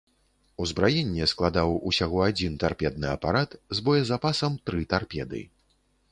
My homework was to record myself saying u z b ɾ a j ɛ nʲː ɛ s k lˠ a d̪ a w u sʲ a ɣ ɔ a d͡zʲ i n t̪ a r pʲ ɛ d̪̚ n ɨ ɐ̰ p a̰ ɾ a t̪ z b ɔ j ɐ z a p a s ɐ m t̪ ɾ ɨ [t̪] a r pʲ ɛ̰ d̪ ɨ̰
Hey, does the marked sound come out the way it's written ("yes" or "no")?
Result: yes